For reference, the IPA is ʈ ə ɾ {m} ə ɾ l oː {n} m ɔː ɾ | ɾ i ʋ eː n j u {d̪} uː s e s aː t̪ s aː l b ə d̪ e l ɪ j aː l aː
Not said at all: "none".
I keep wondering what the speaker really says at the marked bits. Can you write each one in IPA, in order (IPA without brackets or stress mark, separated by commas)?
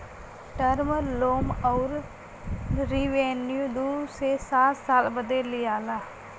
m, none, d̪